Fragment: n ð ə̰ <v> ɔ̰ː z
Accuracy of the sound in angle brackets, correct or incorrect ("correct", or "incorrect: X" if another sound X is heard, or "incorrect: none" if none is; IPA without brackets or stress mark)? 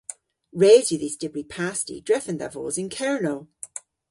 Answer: correct